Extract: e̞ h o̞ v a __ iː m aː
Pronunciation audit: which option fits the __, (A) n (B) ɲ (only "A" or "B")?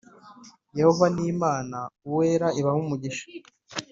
A